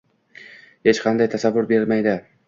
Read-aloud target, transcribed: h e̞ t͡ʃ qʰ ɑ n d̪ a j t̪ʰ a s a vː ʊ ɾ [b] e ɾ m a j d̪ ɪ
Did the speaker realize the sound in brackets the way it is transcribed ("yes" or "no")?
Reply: yes